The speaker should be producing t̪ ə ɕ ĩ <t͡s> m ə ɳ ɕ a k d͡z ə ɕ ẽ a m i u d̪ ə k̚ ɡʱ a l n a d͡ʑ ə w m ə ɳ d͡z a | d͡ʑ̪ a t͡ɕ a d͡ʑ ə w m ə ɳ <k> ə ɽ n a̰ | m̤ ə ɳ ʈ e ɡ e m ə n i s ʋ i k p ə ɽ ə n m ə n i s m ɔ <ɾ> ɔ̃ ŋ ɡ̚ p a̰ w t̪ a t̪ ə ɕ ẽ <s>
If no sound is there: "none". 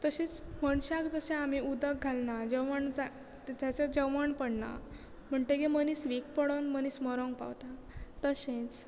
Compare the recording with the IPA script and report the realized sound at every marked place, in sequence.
t͡s, p, ɾ, t͡s

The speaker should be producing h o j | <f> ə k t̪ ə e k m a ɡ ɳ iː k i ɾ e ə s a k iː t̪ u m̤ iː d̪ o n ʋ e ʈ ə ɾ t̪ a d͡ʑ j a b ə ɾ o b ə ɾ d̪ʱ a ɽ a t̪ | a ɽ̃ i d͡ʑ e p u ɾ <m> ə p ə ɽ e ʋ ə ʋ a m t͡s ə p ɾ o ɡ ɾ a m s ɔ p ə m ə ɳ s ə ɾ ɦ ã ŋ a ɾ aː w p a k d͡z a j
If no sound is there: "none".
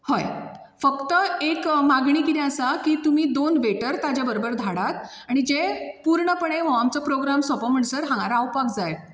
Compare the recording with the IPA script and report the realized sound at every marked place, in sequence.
f, ɳ

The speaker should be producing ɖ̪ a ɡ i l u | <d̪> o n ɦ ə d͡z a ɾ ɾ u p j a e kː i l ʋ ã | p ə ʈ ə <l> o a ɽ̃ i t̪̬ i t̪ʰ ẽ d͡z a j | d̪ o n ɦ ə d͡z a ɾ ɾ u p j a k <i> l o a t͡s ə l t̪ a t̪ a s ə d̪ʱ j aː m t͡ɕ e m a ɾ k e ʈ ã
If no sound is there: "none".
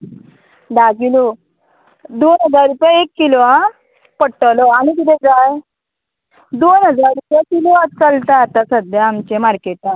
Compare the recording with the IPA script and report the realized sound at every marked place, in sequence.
d̪, l, i

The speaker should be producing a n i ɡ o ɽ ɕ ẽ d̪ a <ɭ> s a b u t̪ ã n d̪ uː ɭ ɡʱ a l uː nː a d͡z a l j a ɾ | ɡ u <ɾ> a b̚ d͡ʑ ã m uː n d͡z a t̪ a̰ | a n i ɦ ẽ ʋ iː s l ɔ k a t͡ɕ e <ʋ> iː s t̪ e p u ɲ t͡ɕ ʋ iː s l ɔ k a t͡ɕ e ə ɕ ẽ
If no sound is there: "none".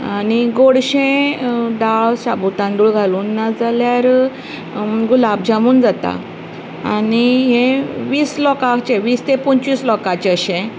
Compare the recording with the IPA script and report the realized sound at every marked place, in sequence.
ɭ, l, ʋ

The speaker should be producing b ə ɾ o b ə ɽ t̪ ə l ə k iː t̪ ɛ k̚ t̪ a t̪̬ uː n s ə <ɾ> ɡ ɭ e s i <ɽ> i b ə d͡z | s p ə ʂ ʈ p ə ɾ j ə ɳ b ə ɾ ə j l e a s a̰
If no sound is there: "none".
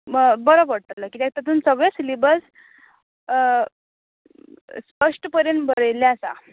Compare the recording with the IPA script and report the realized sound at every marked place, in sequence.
none, l

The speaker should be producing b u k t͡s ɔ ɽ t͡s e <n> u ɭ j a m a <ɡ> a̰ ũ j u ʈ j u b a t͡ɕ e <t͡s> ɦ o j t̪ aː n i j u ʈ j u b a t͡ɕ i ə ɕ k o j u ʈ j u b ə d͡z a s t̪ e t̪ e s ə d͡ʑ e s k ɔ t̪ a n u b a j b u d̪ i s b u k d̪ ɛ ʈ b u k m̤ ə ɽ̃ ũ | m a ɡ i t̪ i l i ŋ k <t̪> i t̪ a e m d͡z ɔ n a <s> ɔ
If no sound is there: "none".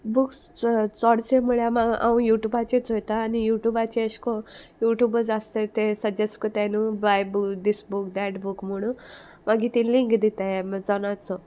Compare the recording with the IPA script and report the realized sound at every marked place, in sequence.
m, ɡ, t͡s, d̪, t͡s

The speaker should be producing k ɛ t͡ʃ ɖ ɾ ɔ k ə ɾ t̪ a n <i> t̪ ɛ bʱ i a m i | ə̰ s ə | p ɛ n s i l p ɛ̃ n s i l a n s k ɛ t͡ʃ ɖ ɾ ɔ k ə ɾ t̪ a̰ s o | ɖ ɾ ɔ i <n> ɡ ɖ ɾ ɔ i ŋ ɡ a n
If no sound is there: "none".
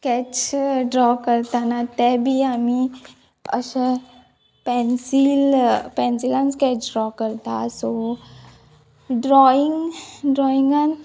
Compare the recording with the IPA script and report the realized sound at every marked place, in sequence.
a, ŋ

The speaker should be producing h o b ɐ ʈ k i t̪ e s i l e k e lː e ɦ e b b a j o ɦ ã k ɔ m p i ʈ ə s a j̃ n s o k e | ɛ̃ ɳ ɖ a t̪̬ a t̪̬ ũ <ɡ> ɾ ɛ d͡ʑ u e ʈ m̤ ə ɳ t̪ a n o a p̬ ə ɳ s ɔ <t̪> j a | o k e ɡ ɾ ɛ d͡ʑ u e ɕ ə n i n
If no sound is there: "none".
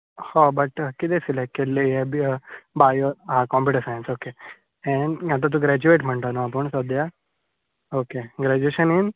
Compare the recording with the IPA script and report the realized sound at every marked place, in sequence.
ɡ, d̪

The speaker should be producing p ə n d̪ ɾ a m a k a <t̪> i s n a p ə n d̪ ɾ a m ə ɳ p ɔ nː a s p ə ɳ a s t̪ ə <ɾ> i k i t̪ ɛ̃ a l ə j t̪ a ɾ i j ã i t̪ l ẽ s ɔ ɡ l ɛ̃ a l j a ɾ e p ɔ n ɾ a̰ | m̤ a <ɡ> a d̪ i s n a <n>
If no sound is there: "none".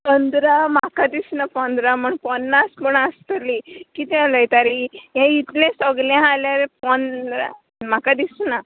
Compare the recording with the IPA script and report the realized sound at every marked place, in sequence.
d̪, l, k, none

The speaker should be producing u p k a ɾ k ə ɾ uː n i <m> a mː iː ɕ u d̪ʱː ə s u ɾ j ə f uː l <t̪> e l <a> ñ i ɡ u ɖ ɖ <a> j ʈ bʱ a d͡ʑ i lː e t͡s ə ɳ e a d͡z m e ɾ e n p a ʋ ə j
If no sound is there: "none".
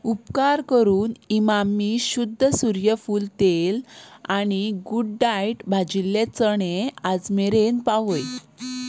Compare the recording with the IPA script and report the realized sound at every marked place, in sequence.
m, t̪, a, a

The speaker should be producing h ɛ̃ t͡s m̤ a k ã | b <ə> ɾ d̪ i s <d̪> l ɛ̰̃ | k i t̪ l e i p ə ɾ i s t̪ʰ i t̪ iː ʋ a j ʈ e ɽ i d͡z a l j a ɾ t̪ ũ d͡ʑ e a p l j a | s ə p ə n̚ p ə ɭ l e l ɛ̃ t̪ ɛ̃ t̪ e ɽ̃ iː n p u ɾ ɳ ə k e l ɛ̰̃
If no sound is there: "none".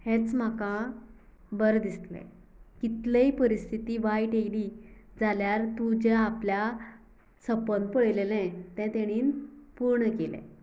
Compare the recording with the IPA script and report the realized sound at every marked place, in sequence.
ə, t̪

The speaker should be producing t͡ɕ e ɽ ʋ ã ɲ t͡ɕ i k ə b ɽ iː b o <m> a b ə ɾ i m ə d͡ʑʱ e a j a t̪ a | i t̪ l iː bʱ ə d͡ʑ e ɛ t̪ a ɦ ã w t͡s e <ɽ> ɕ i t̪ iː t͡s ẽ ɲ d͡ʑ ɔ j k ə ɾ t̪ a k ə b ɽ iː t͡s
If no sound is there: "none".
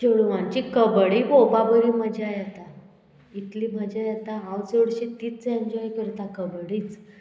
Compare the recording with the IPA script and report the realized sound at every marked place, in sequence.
b, ɽ

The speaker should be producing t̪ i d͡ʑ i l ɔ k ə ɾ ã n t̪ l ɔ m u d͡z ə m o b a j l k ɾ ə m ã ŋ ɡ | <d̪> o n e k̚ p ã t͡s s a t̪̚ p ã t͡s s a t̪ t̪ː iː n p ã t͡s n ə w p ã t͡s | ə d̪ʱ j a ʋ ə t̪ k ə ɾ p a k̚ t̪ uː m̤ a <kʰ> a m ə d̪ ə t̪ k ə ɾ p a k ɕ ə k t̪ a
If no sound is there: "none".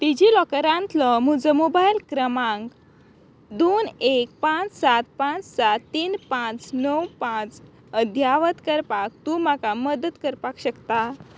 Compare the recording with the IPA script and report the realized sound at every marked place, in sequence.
d̪, k

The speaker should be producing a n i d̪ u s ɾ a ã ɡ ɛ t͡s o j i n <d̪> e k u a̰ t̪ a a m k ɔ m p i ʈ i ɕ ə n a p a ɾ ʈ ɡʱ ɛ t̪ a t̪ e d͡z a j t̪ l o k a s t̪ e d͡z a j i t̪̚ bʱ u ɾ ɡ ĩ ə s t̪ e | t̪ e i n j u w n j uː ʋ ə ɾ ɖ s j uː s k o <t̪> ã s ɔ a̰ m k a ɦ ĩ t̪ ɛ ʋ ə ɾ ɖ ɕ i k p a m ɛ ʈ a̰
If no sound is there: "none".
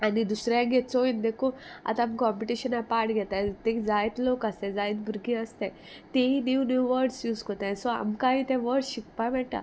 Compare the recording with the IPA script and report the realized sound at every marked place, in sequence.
d̪, t̪

